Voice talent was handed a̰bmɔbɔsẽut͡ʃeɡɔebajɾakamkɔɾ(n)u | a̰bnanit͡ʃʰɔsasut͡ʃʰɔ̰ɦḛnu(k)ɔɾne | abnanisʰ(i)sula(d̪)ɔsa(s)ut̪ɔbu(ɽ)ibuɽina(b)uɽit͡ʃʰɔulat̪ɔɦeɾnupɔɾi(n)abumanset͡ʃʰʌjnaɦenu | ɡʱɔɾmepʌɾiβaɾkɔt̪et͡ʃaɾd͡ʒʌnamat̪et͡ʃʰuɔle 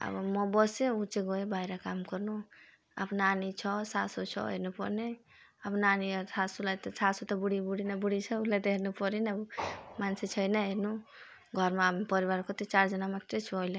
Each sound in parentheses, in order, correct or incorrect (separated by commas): correct, incorrect, incorrect, incorrect, correct, correct, correct, correct